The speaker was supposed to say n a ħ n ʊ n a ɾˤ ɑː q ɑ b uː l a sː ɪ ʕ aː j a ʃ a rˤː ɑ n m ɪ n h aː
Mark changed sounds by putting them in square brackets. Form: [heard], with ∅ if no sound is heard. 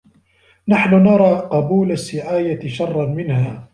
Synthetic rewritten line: n a ħ n ʊ n [ɑ] ɾˤ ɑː q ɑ b uː l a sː ɪ ʕ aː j a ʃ [ɑ] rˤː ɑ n m ɪ n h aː